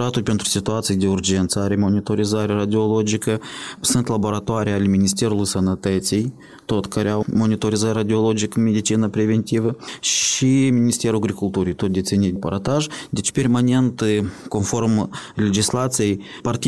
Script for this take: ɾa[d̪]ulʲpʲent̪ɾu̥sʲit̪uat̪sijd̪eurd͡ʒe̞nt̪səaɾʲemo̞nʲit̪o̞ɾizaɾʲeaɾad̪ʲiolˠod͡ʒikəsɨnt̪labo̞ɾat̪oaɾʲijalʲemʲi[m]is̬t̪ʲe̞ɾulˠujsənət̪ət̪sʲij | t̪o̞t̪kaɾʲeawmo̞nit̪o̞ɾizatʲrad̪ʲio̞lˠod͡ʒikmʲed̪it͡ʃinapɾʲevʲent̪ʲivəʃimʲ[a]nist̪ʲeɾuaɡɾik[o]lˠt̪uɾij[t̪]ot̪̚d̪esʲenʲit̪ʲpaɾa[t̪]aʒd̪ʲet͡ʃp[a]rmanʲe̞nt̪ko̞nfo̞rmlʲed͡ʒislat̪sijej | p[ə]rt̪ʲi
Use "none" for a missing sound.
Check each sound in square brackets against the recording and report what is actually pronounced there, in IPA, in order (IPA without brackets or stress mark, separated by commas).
t̪, n, i, u, t̪, t̪, e, a